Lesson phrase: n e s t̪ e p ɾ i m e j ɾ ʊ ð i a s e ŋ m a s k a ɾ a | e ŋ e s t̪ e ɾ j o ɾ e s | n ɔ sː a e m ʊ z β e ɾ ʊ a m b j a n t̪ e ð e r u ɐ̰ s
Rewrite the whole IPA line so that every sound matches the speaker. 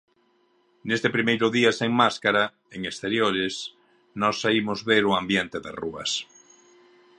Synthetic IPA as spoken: n e s t̪ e p ɾ i m e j ɾ ʊ ð i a s e ŋ m a s k a ɾ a | e ŋ e s t̪ e ɾ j o ɾ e s | n ɔ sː a i m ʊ z β e ɾ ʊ a m b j e n t̪ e ð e r u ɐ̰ s

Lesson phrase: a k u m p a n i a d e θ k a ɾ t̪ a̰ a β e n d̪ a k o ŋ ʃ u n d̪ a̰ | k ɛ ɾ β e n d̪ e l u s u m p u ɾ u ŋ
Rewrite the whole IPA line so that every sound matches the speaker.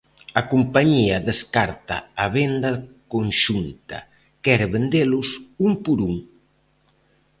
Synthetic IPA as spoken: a k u m p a ɲ i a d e s k a ɾ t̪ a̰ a β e n d̪ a k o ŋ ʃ u n t̪ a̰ | k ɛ ɾ β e n d̪ e l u s u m p u ɾ u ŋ

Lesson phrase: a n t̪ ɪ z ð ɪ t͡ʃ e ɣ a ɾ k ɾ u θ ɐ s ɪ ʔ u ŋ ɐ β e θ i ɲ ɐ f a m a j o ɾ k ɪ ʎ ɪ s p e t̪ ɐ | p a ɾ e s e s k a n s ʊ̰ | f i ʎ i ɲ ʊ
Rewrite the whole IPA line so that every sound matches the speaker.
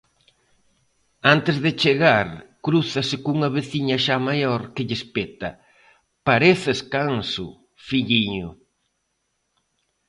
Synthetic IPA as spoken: a n t̪ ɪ z ð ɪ t͡ʃ e ɣ a ɾ k ɾ u θ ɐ s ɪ k u ŋ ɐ β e θ i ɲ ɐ ʃ a m a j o ɾ k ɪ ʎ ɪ s p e t̪ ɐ | p a ɾ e θ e s k a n s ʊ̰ | f i ʎ i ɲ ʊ

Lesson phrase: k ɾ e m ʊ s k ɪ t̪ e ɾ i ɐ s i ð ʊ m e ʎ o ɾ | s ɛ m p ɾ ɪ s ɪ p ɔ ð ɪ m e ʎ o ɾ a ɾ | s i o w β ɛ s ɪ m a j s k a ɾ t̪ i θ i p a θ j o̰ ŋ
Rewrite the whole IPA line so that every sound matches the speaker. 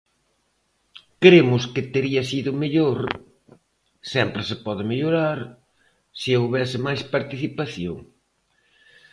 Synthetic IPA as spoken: k ɾ e m ʊ s k ɪ t̪ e ɾ i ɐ s i ð ʊ m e ʎ o ɾ | s ɛ m p ɾ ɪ s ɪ p ɔ ð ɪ m e ʎ o ɾ a ɾ | s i o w β ɛ s ɪ m a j s p a ɾ t̪ i θ i p a θ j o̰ ŋ

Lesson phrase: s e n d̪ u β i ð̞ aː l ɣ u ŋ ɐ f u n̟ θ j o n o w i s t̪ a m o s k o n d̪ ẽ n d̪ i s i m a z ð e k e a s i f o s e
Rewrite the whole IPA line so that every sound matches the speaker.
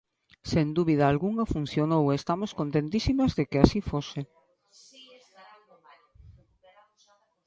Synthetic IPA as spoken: s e n d̪ u β i ð̞ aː l ɣ u ŋ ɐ f u n̟ θ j o n o w e s t̪ a m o s k o n t̪ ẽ n t̪ i s i m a z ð e k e a s i f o s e

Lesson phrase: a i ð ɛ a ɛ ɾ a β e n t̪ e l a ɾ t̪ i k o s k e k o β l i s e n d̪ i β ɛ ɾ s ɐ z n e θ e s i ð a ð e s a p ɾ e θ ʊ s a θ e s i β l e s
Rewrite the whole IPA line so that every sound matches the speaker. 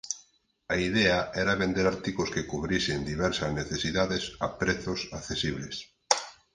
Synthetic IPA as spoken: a i ð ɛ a ɛ ɾ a β e n d̪ e ɾ a ɾ t̪ i k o s k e k u β ɾ i s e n d̪ i β ɛ ɾ s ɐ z n e θ e s i ð a ð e s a p ɾ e θ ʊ s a θ e s i β l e s

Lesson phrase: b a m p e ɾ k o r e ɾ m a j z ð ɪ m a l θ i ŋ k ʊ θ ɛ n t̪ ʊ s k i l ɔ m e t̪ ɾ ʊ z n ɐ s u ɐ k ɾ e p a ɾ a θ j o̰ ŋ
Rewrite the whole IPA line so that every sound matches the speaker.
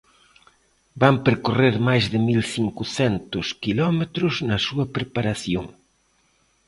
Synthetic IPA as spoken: b a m p e ɾ k o r e ɾ m a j z ð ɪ m i l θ i ŋ k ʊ θ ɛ n t̪ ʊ s k i l ɔ m e t̪ ɾ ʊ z n ɐ s u ɐ p ɾ e p a ɾ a θ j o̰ ŋ

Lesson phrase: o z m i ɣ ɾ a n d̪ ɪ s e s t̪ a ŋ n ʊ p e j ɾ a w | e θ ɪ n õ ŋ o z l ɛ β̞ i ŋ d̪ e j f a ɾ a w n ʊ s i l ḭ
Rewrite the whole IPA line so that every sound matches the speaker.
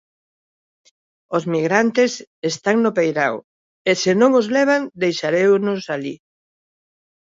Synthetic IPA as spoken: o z m i ɣ ɾ a n t̪ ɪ s e s t̪ a ŋ n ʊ p e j ɾ a w | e s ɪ n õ ŋ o z l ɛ β̞ a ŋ d̪ e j ʃ a ɾ e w n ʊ s a l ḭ

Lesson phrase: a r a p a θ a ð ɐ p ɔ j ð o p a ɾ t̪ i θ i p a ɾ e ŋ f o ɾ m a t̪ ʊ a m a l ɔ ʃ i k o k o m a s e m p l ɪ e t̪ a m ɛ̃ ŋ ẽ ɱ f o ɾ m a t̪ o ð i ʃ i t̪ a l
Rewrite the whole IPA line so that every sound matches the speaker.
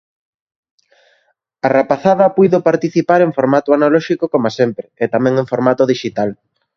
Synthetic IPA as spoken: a r a p a θ a ð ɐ p u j ð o p a ɾ t̪ i θ i p a ɾ e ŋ f o ɾ m a t̪ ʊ a n a l ɔ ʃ i k o k o m a s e m p ɾ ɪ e t̪ a m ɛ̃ ŋ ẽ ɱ f o ɾ m a t̪ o ð i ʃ i t̪ a l

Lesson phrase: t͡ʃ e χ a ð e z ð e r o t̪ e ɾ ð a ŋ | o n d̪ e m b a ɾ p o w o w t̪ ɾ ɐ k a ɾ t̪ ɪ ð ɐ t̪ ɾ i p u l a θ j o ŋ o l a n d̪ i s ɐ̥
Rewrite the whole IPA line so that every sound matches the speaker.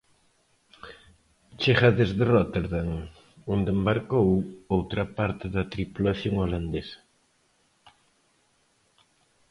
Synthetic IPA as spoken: t͡ʃ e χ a ð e z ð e r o t̪ e ɾ ð a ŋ | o n d̪ e m b a ɾ k o w o w t̪ ɾ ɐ p a ɾ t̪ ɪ ð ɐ t̪ ɾ i p u l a θ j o ŋ o l a n d̪ e s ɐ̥

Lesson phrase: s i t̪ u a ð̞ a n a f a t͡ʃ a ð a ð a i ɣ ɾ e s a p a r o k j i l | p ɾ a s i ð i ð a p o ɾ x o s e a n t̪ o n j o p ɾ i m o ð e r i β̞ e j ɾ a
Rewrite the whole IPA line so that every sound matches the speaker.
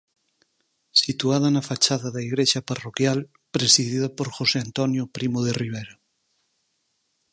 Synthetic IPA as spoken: s i t̪ u a ð̞ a n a f a t͡ʃ a ð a ð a i ɣ ɾ e ʃ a p a r o k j a l | p ɾ e s i ð i ð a p o ɾ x o s e a n t̪ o n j o p ɾ i m o ð e r i β̞ e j ɾ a

